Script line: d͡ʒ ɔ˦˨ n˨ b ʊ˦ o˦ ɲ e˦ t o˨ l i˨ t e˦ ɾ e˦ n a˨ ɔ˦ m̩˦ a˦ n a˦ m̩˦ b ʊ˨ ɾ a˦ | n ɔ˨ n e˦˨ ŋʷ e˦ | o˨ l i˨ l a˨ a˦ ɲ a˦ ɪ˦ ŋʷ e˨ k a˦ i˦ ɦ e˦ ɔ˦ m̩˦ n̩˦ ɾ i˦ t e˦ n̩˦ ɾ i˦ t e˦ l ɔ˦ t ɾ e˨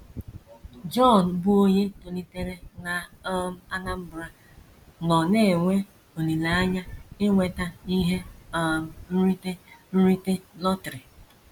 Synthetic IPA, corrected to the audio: d͡ʒ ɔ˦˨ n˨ b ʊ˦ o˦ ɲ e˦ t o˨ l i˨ t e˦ ɾ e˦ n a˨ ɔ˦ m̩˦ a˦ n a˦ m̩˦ b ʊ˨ ɾ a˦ | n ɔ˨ n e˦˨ ŋʷ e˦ | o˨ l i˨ l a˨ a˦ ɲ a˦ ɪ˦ ŋʷ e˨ t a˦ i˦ ɦ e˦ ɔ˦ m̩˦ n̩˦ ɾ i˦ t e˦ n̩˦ ɾ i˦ t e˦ l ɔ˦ t ɾ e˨